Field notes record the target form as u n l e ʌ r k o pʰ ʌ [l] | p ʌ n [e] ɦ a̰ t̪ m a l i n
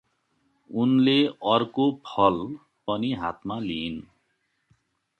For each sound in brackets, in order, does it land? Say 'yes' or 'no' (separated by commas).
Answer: yes, no